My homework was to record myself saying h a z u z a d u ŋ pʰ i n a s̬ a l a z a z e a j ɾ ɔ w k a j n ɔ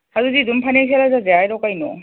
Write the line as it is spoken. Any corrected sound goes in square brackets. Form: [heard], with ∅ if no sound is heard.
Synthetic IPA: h a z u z [i] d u [m] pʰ [a] n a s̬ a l a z a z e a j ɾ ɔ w k a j n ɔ